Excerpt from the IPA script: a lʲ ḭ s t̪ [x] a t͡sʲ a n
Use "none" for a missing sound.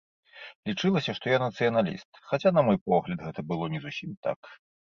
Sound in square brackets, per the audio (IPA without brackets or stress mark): x